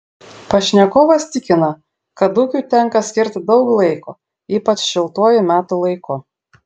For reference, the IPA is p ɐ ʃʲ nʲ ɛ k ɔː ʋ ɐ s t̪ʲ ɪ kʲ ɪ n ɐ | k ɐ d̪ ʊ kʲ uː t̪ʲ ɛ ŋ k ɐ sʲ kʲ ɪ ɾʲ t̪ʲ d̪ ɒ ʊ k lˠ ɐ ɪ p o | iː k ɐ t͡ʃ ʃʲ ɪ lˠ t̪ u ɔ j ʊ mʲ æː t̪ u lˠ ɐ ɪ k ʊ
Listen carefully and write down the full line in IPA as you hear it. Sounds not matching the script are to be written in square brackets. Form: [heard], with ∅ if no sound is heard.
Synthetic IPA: p ɐ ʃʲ nʲ ɛ k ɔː ʋ ɐ s t̪ʲ ɪ kʲ ɪ n ɐ | k ɐ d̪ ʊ kʲ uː t̪ʲ ɛ ŋ k ɐ sʲ kʲ ɪ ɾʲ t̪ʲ d̪ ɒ ʊ k lˠ ɐ ɪ [k] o | iː [p] ɐ t͡ʃ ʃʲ ɪ lˠ t̪ u ɔ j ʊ mʲ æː t̪ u lˠ ɐ ɪ k ʊ

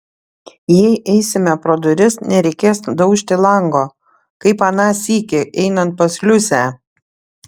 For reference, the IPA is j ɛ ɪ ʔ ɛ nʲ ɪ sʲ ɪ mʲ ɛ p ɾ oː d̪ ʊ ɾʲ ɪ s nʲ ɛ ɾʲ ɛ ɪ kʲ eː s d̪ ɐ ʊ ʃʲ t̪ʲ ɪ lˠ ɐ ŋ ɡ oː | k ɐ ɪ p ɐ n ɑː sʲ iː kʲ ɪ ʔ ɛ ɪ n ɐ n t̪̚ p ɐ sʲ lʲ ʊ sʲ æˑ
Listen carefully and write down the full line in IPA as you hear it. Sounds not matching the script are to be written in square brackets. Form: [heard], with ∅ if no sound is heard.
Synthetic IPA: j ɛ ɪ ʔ ɛ [∅] ɪ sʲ ɪ mʲ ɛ p ɾ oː d̪ ʊ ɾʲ ɪ s nʲ ɛ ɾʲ ɛ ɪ kʲ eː s d̪ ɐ ʊ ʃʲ t̪ʲ ɪ lˠ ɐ ŋ ɡ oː | k ɐ ɪ p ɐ n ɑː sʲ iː kʲ ɪ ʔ ɛ ɪ n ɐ n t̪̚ p ɐ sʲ lʲ ʊ sʲ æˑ

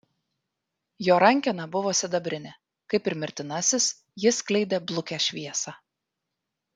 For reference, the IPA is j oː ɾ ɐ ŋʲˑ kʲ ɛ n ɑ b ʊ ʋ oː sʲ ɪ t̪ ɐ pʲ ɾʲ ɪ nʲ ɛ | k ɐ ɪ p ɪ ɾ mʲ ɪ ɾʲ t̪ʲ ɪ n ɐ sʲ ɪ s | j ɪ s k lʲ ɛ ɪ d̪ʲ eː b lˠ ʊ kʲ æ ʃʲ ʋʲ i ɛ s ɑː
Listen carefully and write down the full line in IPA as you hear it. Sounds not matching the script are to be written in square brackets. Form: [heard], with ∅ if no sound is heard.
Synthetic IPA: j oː ɾ ɐ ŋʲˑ kʲ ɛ n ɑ b ʊ ʋ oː sʲ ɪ [d̪] ɐ [bʲ] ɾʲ ɪ nʲ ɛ | k ɐ ɪ p ɪ ɾ mʲ ɪ ɾʲ t̪ʲ ɪ n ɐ sʲ ɪ s | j ɪ s k lʲ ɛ ɪ d̪ʲ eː b lˠ ʊ kʲ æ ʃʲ ʋʲ i ɛ s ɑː

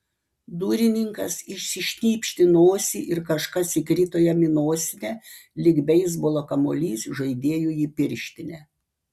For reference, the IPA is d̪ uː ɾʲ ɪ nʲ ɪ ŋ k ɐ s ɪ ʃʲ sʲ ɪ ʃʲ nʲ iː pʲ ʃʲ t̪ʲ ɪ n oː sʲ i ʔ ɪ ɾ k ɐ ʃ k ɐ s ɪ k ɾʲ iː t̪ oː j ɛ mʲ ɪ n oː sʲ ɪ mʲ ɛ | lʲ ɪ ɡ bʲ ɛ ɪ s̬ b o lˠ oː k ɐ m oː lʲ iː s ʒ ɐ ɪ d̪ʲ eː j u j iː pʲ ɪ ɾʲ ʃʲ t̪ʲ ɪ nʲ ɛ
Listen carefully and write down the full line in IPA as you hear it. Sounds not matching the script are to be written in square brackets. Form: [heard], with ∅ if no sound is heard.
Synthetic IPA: d̪ uː ɾʲ ɪ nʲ ɪ ŋ k ɐ s ɪ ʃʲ sʲ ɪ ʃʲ nʲ iː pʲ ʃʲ t̪ʲ ɪ n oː sʲ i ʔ ɪ ɾ k ɐ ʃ k ɐ s ɪ k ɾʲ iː t̪ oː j ɛ mʲ ɪ n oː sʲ ɪ [nʲ] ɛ | lʲ ɪ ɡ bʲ ɛ ɪ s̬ b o lˠ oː k ɐ m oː lʲ iː s ʒ ɐ ɪ d̪ʲ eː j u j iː pʲ ɪ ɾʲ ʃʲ t̪ʲ ɪ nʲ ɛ

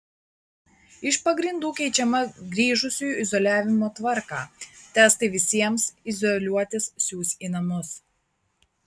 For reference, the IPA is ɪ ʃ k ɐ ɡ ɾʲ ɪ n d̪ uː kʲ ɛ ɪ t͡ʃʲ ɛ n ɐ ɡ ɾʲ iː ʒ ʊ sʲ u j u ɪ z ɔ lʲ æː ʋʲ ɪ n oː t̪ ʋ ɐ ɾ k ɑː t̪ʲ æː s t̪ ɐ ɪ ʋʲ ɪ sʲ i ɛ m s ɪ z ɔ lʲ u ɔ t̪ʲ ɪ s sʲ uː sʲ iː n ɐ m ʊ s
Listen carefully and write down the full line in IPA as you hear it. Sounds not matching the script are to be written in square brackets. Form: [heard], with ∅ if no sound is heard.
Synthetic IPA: ɪ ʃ [p] ɐ ɡ ɾʲ ɪ n d̪ uː kʲ ɛ ɪ t͡ʃʲ ɛ [m] ɐ ɡ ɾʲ iː ʒ ʊ sʲ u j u ɪ z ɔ lʲ æː ʋʲ ɪ [m] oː t̪ ʋ ɐ ɾ k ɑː t̪ʲ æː s t̪ ɐ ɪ ʋʲ ɪ sʲ i ɛ m s ɪ z ɔ lʲ u ɔ t̪ʲ ɪ s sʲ uː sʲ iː n ɐ m ʊ s

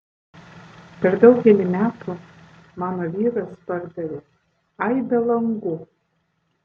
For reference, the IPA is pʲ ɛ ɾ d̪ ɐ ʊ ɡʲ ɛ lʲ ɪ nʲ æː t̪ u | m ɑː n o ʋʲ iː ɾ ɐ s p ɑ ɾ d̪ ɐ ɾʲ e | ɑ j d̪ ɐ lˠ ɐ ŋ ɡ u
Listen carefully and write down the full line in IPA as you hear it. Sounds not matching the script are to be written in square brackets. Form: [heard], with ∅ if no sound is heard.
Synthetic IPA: pʲ ɛ ɾ d̪ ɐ ʊ ɡʲ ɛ lʲ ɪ [mʲ] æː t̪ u | m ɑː n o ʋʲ iː ɾ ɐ s p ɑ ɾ d̪ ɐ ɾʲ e | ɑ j d̪ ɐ lˠ ɐ ŋ ɡ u

